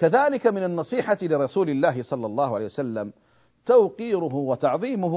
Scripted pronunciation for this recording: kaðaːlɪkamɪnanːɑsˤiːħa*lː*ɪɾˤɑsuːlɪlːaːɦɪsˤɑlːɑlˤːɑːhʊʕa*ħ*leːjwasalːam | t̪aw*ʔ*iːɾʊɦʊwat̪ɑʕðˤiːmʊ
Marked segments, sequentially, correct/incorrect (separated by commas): incorrect, incorrect, incorrect